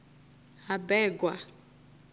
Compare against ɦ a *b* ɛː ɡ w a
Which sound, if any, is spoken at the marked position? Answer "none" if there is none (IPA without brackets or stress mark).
b